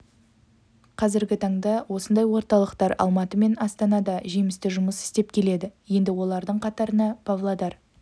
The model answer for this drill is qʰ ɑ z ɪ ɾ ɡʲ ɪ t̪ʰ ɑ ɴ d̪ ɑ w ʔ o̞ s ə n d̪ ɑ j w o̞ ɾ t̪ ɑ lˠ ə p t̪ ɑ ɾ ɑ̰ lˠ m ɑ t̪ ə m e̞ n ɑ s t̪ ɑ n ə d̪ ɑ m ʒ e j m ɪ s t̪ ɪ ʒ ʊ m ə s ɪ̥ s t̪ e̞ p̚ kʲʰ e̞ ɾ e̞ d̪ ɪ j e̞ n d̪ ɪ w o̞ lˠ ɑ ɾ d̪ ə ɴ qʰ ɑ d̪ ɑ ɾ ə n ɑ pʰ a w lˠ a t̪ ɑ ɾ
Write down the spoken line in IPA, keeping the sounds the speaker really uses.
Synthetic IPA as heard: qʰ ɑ z ɪ ɾ ɡʲ ɪ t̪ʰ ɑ ɴ d̪ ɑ w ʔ o̞ s ə n d̪ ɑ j w o̞ ɾ t̪ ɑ lˠ ə q t̪ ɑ ɾ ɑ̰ lˠ m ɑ t̪ ə m e̞ n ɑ s t̪ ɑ n ɑ d̪ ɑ ʒ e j m ɪ s t̪ ɪ ʒ ʊ m ə s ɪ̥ s t̪ e̞ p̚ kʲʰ e̞ l e̞ d̪ ɪ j e̞ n d̪ ɪ w o̞ lˠ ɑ ɾ d̪ ə ɴ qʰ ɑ t̪ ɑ ɾ ə n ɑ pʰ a v lˠ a d̪ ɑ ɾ